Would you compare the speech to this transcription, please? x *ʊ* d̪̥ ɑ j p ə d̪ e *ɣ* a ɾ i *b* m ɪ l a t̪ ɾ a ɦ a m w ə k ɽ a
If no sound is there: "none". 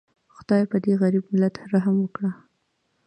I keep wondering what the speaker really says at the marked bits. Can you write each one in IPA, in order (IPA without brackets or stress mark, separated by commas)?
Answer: ʊ, ɣ, b